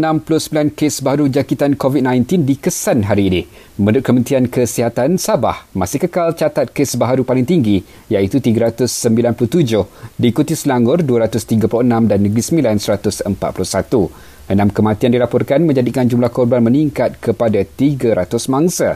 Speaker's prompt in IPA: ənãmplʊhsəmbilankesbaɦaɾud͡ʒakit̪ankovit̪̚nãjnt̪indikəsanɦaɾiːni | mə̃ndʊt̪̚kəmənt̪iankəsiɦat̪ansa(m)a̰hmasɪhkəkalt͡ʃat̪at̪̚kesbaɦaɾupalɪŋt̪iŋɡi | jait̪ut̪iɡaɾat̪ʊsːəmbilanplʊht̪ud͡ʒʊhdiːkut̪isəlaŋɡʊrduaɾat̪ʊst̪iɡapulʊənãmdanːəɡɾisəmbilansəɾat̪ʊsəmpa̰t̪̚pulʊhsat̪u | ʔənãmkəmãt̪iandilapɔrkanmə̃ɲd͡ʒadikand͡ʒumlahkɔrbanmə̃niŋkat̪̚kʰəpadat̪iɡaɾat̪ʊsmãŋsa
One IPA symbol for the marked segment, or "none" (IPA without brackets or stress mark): b